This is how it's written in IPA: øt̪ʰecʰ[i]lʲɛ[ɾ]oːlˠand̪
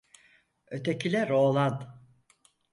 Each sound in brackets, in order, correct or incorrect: correct, correct

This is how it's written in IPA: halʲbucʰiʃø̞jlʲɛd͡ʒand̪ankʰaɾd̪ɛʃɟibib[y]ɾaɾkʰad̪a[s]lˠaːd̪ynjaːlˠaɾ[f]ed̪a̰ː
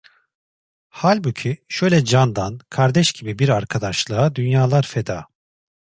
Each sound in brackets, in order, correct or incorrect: incorrect: i, incorrect: ʃ, correct

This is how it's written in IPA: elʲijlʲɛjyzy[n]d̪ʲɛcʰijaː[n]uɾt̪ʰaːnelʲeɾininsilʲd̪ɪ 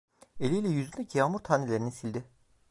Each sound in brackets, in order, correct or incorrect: correct, incorrect: m

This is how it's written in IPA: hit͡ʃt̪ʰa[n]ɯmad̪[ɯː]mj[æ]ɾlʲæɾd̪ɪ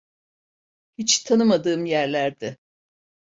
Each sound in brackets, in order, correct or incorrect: correct, correct, correct

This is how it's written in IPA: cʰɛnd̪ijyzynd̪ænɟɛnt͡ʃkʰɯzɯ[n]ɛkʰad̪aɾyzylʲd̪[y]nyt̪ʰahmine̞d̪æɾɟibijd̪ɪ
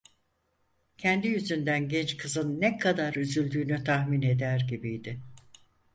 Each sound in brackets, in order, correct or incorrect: incorrect: nː, incorrect: yː

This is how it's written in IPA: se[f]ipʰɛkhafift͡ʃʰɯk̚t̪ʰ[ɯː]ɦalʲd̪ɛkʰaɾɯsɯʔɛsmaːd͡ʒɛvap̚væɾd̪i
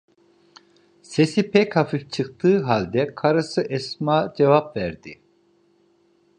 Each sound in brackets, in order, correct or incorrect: incorrect: s, correct

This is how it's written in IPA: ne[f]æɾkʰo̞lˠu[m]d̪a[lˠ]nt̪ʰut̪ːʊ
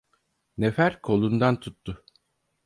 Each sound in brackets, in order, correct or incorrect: correct, incorrect: n, incorrect: none

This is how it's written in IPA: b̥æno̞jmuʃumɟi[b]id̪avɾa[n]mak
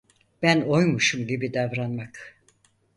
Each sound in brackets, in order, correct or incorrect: correct, correct

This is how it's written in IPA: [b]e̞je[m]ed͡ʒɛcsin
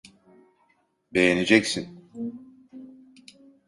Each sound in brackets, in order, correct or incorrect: correct, incorrect: n

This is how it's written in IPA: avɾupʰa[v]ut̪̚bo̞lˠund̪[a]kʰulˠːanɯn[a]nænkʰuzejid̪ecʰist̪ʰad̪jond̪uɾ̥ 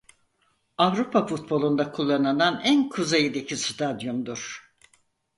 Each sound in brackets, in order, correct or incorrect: incorrect: f, correct, correct

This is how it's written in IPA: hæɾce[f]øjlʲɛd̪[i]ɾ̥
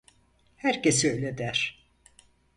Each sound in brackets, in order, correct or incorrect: incorrect: s, incorrect: æ

